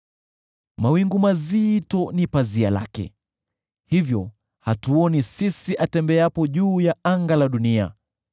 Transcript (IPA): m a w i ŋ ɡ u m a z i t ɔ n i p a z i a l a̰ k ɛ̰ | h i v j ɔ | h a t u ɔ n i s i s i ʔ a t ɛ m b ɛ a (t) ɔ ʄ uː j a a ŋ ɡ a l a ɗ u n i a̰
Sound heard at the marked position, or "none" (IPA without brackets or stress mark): p